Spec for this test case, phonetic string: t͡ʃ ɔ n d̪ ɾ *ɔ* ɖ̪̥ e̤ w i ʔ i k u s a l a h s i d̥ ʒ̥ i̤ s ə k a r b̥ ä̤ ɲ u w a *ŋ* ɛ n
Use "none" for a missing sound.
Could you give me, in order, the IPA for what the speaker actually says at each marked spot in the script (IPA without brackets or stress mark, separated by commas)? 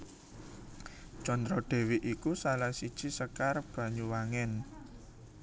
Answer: ɔ, ŋ